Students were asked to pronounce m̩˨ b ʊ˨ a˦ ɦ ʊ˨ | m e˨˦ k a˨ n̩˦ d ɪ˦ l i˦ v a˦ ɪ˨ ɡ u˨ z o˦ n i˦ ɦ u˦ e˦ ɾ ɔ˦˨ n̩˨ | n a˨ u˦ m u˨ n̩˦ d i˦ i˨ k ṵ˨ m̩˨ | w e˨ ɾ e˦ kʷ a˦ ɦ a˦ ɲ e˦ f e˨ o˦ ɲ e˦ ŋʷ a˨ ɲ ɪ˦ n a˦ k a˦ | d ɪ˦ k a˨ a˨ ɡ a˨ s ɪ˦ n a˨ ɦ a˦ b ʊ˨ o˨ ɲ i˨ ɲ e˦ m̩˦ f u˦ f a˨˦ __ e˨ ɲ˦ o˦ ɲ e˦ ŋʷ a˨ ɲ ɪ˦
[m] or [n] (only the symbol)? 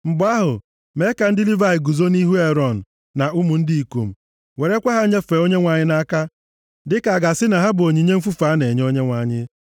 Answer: n